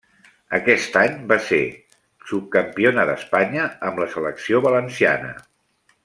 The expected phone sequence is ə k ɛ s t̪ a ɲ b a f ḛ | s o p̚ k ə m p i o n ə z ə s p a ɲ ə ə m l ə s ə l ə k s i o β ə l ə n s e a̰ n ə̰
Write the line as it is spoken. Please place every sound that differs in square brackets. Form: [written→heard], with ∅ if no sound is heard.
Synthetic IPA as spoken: ə k ɛ s t̪ a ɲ b a [f→s] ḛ | s [o→u] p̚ k ə m p i o n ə [z→ð] ə s p a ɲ ə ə m l ə s ə l ə k s i o β ə l ə n s [e→i] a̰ n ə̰